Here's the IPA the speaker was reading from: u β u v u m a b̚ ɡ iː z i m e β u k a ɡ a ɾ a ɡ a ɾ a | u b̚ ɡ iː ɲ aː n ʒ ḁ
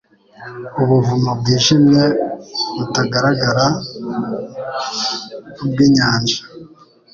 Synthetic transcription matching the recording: u β u v u m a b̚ ɡ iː ʒ i m e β u t a ɡ a ɾ a ɡ a ɾ a | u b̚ ɡ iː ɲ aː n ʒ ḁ